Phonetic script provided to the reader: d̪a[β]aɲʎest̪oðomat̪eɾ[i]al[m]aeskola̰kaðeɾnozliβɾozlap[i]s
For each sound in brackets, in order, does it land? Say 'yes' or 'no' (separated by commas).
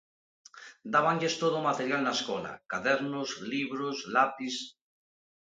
yes, no, no, yes